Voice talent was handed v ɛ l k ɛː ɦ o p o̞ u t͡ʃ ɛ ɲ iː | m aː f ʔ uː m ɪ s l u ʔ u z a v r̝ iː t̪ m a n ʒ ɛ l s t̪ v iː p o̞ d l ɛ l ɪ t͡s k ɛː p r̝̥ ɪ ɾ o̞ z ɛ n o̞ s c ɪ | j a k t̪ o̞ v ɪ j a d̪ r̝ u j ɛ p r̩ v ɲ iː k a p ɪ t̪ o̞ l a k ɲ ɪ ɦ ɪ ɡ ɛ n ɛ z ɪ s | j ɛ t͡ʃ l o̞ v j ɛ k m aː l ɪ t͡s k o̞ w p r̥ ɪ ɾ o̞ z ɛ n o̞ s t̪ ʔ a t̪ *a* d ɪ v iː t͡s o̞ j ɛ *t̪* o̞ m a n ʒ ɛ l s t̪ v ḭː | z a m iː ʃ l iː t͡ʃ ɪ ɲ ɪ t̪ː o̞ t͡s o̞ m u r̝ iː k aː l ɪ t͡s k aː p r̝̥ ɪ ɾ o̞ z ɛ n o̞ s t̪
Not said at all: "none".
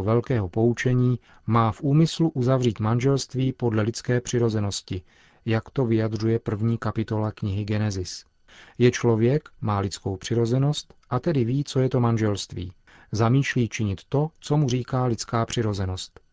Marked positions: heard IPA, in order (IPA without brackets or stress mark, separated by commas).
ɛ, t̪